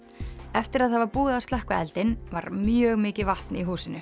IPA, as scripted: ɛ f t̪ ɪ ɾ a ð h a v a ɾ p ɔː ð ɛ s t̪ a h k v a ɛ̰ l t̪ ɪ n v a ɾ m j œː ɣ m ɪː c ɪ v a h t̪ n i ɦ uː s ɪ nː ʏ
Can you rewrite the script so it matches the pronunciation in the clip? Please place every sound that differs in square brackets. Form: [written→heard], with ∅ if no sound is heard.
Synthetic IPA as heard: ɛ f t̪ ɪ ɾ a ð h a v a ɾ p [ɔː→uː] ð [ɛ→a] s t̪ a h k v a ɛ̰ l t̪ ɪ n v a ɾ m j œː ɣ m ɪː c ɪ v a h t̪ n i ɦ uː s ɪ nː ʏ